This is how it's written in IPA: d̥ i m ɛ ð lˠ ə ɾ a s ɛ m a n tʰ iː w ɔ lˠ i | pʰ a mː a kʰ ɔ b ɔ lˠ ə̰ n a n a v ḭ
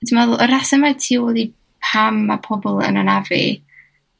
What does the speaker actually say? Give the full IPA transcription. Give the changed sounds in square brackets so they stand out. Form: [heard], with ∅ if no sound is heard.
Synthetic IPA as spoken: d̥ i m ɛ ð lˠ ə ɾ a s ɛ m a [∅] tʰ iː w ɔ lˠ i | pʰ a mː a [pʰ] ɔ b ɔ lˠ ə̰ n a n a v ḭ